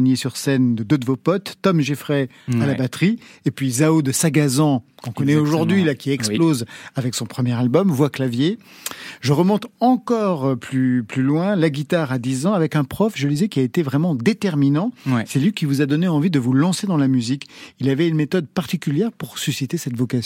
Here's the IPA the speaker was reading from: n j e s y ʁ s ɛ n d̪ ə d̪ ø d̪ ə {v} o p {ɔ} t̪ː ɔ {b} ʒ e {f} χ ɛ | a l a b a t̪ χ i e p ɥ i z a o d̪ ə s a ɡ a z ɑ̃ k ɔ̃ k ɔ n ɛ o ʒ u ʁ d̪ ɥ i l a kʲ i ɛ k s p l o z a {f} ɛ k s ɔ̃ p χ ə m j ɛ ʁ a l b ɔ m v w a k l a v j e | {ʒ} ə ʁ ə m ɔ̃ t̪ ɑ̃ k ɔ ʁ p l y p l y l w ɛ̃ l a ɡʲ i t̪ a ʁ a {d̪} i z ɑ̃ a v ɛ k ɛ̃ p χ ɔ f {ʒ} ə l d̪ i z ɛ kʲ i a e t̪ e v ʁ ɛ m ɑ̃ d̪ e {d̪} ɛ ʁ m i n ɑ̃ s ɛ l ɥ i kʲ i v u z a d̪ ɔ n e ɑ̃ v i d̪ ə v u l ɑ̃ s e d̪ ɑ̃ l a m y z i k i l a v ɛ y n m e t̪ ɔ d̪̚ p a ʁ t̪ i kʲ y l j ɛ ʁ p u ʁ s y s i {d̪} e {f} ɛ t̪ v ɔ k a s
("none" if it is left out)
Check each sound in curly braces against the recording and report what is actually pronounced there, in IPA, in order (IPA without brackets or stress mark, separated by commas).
v, ɔ, m, f, v, ʒ, d̪, ʒ, t̪, t̪, s